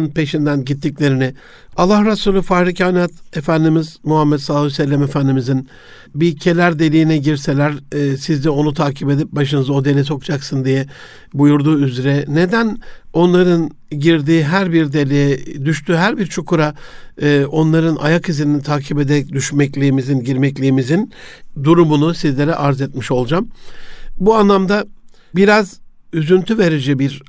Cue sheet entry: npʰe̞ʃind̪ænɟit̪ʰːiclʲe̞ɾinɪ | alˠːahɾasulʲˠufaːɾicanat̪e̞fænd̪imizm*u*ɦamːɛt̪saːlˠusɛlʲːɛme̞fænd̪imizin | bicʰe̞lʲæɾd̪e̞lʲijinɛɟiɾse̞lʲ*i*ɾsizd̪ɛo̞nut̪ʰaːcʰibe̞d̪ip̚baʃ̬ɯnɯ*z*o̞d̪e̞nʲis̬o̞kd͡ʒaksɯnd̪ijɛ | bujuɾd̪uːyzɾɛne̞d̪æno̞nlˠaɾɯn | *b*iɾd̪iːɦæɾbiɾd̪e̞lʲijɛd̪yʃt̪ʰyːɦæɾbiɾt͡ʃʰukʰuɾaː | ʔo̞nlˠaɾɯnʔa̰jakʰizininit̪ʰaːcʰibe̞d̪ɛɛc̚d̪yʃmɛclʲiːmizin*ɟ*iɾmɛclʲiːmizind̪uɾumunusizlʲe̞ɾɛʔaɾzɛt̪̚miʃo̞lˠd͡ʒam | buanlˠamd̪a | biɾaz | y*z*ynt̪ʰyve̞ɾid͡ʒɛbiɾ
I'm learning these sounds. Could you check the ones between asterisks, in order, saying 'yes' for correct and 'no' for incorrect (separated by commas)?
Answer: yes, no, yes, no, yes, yes